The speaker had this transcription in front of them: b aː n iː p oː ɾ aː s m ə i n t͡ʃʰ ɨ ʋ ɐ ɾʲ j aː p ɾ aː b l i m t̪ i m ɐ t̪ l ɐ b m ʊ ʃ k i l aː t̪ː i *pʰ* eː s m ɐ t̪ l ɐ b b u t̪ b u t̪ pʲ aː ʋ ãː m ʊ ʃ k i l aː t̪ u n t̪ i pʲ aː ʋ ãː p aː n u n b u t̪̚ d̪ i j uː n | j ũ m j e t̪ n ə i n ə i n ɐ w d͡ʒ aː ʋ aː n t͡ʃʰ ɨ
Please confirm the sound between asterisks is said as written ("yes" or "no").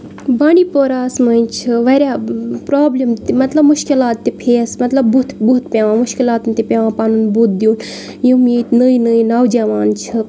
yes